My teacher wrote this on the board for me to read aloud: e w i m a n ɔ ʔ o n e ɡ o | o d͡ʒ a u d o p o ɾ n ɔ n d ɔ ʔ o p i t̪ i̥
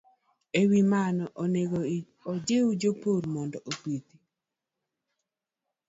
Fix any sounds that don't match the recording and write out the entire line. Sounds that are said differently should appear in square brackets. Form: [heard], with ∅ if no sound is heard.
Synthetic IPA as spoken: e w i m a n ɔ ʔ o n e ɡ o | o d͡ʒ [e] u [d͡ʒ] o p o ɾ [m] ɔ n d ɔ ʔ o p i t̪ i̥